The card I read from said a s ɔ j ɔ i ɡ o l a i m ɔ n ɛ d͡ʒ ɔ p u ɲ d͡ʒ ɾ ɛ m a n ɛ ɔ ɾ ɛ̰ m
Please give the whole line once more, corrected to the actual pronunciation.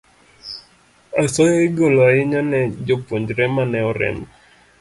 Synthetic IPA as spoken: a s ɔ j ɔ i ɡ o l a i ɲ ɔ n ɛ d͡ʒ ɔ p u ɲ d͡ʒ ɾ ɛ m a n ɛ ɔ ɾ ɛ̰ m